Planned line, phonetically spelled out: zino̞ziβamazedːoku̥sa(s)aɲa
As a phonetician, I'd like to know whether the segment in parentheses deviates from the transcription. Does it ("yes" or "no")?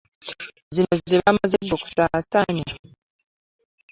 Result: no